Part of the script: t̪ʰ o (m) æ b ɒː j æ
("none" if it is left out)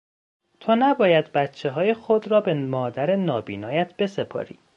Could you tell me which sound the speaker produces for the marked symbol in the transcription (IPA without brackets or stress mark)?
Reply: n